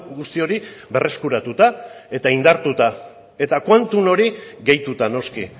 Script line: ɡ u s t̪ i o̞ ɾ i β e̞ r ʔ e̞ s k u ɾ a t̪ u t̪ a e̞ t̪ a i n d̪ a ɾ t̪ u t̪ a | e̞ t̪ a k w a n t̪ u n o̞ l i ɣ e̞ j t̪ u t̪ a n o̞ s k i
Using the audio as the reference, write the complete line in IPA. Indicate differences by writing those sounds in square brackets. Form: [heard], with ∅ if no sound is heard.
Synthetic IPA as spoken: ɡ u s t̪ i o̞ ɾ i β e̞ r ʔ e̞ s k u ɾ a t̪ u t̪ a e̞ t̪ a i n d̪ a ɾ t̪ u t̪ a | e̞ t̪ a k w a n t̪ u n o̞ [ɾ] i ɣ e̞ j t̪ u t̪ a n o̞ s k i